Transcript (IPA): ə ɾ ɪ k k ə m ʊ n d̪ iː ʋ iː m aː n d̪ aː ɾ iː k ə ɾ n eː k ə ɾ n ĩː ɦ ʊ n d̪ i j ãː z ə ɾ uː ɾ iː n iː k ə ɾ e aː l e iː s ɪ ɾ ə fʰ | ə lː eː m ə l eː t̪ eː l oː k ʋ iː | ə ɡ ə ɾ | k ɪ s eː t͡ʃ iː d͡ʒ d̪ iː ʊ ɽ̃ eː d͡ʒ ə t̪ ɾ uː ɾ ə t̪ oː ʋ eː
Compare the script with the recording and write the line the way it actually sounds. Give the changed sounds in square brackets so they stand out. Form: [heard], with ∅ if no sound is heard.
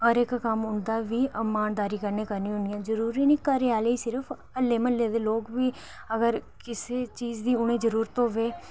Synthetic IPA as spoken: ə ɾ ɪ k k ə m ʊ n d̪ [aː] ʋ iː m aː n d̪ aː ɾ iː k ə ɾ n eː k ə ɾ n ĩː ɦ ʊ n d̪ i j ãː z ə ɾ uː ɾ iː n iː k ə ɾ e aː l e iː s ɪ ɾ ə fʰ | ə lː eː m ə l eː [d̪] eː l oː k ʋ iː | ə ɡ ə ɾ | k ɪ s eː t͡ʃ iː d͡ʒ d̪ iː ʊ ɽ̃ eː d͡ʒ ə [∅] ɾ uː ɾ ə t̪ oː ʋ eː